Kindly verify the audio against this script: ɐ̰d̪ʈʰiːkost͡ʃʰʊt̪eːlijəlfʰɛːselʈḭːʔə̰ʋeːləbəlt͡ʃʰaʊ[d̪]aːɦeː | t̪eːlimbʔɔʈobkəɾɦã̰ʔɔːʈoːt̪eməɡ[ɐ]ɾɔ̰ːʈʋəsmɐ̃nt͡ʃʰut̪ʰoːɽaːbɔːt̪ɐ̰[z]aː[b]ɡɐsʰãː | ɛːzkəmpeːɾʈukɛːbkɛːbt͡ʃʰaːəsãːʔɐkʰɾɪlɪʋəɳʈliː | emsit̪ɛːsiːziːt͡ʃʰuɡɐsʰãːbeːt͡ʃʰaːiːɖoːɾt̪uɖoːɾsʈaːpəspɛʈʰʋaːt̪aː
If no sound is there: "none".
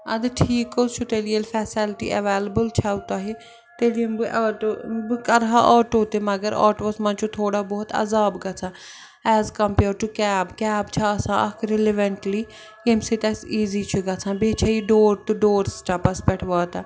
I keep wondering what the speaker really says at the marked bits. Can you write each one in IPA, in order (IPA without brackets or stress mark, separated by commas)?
t̪, ə, z, b